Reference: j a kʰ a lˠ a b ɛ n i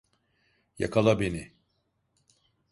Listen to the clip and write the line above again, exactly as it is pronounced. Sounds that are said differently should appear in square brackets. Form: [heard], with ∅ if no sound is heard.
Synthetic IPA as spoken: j a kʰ a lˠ a b [e] n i